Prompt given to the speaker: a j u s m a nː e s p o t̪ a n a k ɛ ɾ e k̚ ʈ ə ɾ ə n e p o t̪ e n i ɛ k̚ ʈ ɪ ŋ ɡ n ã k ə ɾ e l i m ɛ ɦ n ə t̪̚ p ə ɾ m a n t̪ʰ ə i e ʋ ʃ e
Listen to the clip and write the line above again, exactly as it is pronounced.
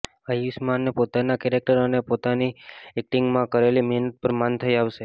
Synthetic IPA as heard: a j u s m a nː e p o t̪ a n a k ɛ ɾ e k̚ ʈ ə ɾ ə n e p o t̪ a n i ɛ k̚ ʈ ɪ ŋ ɡ m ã k ə ɾ e l i m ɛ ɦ n ə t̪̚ p ə ɾ m a n t̪ʰ ə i a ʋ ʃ e